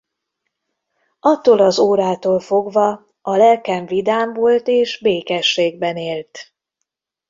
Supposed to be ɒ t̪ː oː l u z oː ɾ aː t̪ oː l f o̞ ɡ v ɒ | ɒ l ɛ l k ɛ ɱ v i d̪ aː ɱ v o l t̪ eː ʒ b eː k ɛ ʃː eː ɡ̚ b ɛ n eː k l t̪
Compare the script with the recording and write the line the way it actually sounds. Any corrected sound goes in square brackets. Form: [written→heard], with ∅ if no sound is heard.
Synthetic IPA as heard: ɒ t̪ː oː l [u→ɒ] z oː ɾ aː t̪ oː l f o̞ ɡ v ɒ | ɒ l ɛ l k ɛ ɱ v i d̪ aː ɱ v o l t̪ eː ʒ b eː k ɛ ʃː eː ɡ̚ b ɛ n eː [k→∅] l t̪